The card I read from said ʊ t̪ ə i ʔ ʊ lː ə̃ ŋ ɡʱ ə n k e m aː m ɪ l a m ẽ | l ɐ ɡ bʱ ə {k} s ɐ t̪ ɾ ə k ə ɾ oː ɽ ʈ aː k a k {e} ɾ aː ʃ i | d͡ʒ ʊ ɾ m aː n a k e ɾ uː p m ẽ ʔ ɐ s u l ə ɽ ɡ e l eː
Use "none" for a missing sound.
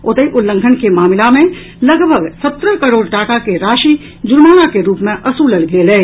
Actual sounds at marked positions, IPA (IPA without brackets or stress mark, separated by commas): ɡ, e